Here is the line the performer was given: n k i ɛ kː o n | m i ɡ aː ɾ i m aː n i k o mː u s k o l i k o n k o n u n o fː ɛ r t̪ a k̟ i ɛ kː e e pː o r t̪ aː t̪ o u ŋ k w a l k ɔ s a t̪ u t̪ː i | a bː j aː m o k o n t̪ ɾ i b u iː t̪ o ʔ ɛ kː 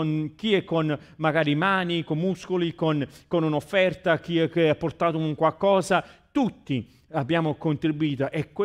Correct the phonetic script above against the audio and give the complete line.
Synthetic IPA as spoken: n k i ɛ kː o n | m a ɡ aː ɾ i m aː n i k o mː u s k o l i k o n k o n u n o fː ɛ r t̪ a k̟ i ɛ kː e a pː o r t̪ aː t̪ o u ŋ k w a l k ɔː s a t̪ u t̪ː i | a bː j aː m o k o n t̪ ɾ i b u iː t̪ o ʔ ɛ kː